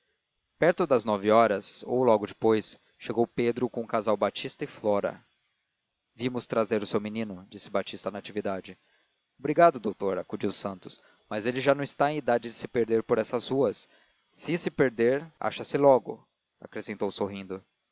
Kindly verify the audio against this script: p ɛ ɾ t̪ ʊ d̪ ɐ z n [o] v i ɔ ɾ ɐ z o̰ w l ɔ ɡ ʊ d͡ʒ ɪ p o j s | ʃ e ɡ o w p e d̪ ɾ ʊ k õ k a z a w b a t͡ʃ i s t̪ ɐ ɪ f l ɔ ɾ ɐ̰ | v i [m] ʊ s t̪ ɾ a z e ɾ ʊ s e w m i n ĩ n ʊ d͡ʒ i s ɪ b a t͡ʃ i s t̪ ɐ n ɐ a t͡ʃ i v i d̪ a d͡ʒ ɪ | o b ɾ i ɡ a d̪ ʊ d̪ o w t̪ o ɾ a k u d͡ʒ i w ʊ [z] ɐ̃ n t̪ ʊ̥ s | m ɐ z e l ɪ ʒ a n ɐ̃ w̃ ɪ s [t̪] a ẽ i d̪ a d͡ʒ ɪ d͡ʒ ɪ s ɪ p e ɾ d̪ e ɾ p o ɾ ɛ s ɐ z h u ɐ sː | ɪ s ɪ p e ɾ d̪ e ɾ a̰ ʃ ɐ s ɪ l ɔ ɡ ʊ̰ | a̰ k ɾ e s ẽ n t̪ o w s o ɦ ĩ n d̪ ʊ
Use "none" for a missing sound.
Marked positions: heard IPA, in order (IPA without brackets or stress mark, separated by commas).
ɔ, m, s, t̪